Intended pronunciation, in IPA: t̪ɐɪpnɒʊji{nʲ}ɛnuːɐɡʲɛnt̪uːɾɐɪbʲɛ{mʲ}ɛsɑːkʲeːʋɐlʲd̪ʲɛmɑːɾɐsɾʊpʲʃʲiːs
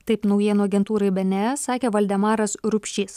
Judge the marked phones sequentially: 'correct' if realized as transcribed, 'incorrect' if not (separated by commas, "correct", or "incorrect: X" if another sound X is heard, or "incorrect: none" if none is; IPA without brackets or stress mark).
incorrect: none, incorrect: nʲ